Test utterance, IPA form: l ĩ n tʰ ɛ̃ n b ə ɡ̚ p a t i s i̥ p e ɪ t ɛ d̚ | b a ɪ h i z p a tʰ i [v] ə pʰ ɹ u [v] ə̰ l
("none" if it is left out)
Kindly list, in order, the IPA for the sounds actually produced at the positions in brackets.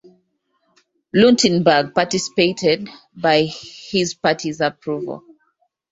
z, v

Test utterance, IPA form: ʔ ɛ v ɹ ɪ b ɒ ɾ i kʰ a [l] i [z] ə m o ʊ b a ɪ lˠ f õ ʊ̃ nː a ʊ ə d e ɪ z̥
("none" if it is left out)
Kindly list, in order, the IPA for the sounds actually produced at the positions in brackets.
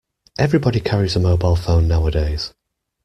ɹ, z

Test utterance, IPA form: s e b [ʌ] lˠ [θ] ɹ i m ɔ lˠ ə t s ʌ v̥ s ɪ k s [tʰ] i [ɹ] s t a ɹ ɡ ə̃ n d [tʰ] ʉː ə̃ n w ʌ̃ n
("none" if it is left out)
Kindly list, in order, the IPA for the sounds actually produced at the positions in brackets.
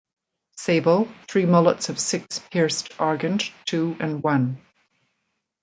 ə, θ, pʰ, ɹ, tʰ

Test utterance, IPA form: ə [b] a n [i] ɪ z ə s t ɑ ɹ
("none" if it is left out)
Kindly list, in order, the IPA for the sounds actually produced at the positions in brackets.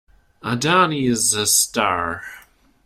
d, i

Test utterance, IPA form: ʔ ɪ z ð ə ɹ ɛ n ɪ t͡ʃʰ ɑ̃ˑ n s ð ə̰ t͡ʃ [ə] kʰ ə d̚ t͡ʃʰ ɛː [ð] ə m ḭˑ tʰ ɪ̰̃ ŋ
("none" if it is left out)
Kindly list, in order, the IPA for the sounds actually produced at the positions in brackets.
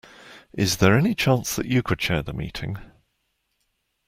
ə, ð

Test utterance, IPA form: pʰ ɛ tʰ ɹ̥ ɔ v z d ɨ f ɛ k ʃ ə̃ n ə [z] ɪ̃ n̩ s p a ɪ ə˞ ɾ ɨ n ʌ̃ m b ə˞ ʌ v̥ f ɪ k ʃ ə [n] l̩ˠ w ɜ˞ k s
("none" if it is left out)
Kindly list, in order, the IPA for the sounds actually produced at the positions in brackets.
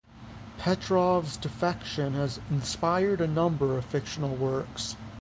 z, n

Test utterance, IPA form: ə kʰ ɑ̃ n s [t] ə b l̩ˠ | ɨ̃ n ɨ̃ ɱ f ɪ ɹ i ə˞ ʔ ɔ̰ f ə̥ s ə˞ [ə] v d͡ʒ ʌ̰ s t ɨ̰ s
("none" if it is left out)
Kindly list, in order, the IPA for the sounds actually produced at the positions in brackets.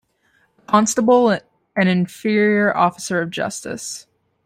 t, ʌ

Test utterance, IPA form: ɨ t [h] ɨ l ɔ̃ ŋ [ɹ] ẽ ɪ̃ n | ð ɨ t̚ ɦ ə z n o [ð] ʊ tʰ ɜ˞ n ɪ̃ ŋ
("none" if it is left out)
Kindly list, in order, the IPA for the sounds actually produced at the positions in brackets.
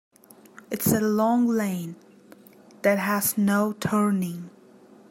s, l, none

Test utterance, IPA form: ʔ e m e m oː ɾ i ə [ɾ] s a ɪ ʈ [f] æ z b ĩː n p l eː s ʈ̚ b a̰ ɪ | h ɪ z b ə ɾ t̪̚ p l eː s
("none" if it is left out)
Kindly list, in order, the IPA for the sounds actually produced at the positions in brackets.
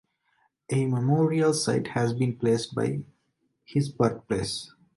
l, h

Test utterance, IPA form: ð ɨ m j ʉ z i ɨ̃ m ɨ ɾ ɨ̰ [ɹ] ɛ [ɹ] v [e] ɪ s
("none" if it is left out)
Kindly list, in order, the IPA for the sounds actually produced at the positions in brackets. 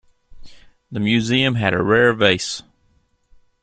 ɹ, ɹ, e

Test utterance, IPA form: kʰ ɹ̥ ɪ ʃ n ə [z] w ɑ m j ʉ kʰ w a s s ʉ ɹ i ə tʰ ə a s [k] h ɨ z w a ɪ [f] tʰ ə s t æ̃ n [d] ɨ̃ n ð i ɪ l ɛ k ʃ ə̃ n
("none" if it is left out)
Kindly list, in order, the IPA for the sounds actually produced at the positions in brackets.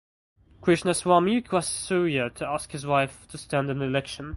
s, k, f, d

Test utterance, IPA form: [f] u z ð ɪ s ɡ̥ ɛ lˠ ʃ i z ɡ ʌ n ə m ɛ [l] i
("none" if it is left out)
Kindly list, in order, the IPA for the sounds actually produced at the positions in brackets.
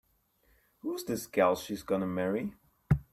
h, ɹ

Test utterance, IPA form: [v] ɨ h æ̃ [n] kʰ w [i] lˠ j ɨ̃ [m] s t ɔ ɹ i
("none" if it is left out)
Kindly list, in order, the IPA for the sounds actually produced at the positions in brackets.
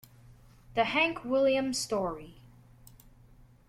ð, ŋ, ɪ, m

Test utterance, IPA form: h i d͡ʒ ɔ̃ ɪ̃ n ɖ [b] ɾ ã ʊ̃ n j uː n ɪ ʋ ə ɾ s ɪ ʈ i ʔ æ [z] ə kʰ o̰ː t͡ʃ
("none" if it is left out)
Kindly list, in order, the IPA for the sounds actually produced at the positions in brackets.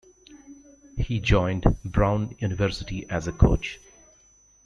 b, z

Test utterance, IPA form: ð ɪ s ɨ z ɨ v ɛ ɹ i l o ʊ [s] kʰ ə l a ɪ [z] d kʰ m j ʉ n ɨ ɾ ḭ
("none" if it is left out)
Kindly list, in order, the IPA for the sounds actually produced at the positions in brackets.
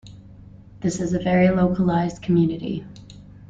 none, z

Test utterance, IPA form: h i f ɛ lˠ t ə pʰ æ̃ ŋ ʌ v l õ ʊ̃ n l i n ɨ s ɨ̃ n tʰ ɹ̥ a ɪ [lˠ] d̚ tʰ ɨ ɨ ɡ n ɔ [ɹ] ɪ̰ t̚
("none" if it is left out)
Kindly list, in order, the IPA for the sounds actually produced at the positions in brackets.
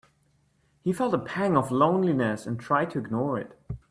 none, ɹ

